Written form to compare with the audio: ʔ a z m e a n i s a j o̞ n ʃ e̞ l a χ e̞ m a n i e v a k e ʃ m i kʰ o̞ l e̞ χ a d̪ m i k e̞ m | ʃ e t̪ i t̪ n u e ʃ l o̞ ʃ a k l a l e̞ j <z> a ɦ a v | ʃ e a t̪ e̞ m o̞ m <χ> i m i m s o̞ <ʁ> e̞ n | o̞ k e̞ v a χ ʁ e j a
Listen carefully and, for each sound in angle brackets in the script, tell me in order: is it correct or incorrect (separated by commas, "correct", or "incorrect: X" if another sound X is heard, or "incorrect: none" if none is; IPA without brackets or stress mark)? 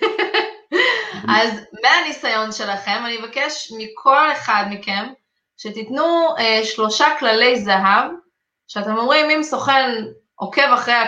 correct, incorrect: ʁ, incorrect: χ